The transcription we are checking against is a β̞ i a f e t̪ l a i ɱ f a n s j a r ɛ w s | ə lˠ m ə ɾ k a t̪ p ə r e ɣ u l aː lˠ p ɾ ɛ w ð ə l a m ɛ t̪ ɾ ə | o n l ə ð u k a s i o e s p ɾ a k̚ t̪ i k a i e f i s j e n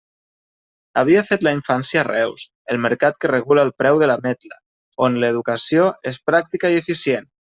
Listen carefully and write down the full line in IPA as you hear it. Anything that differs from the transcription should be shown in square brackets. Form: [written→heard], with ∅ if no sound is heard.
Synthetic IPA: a β̞ i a f e t̪ l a i ɱ f a n s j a r ɛ w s | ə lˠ m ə ɾ k a t̪ [p→k] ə r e ɣ u l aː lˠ p ɾ ɛ w ð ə l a m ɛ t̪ [ɾ→l] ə | o n l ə ð u k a s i o e s p ɾ a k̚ t̪ i k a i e f i s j e n